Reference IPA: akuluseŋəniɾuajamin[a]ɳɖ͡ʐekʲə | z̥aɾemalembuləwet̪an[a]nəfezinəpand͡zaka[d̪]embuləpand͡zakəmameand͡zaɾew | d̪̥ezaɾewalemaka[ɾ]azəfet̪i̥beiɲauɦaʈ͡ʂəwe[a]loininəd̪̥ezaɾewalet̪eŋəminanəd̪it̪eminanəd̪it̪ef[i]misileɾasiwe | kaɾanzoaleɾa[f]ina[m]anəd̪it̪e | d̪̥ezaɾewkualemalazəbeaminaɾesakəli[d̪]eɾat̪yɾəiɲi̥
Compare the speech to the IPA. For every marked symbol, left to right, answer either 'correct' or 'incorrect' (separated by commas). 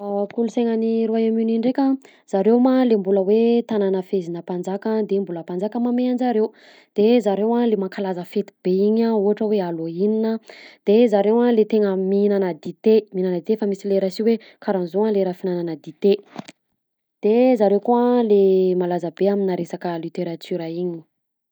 incorrect, correct, correct, incorrect, correct, incorrect, correct, incorrect, incorrect